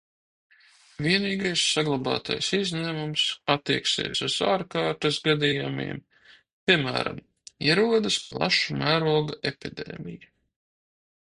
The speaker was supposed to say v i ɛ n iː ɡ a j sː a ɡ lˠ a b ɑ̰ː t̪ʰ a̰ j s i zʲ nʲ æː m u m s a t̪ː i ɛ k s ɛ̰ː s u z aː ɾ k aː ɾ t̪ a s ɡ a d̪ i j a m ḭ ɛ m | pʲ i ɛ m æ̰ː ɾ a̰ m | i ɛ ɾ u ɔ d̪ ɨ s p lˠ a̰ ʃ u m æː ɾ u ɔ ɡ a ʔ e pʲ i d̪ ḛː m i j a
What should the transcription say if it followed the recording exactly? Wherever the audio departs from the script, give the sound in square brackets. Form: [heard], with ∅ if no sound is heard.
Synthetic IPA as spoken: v i ɛ n iː ɡ a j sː a ɡ lˠ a b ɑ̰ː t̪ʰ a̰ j s i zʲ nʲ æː m u m s a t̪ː i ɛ k s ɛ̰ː s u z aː ɾ k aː ɾ t̪ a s ɡ a d̪ i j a m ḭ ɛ m | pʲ i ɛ m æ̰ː ɾ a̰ m | i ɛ ɾ u ɔ d̪ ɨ s p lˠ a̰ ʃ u m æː ɾ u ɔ ɡ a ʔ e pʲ i d̪ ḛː m i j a